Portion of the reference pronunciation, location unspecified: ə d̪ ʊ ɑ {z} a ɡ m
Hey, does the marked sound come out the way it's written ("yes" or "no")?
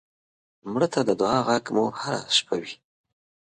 no